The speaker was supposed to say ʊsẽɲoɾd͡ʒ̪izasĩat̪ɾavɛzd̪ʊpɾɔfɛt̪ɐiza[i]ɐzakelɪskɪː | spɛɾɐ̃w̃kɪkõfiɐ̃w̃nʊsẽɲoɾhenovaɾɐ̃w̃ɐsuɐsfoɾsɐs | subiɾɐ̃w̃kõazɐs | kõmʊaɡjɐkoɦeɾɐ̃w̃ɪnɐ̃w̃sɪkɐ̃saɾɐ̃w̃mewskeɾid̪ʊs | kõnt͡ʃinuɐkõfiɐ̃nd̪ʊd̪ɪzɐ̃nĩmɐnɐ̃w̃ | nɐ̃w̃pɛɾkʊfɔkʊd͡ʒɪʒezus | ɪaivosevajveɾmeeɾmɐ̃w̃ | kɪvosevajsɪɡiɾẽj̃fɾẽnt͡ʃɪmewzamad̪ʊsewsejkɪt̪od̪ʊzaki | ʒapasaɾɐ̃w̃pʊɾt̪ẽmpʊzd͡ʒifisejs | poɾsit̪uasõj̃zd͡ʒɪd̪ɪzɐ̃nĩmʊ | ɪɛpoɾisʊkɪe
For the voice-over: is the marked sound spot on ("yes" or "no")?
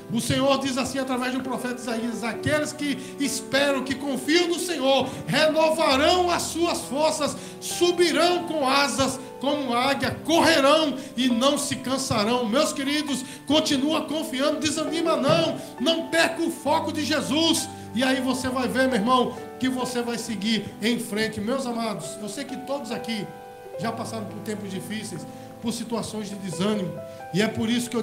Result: yes